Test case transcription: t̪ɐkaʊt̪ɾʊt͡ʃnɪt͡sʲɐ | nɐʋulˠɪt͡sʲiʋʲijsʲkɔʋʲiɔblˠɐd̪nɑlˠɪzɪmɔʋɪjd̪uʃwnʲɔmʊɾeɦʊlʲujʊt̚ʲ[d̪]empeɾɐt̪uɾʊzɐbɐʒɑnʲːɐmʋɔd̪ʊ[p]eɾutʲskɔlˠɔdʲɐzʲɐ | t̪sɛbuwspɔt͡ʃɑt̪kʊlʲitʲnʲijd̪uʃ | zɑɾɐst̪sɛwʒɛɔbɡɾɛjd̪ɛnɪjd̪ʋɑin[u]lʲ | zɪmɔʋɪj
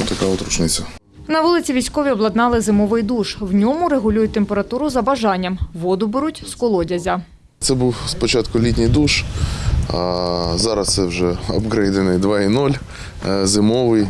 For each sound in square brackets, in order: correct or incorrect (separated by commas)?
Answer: incorrect, incorrect, incorrect